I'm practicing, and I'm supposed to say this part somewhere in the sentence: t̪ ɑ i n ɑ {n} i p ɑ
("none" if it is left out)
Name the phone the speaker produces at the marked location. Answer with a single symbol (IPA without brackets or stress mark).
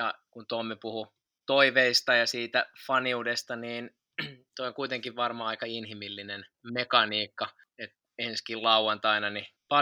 n